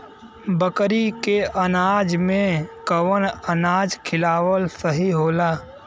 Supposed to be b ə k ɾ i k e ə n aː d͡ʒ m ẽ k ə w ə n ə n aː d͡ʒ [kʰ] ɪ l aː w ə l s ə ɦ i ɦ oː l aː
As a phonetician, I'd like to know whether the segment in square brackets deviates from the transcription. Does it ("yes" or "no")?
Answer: no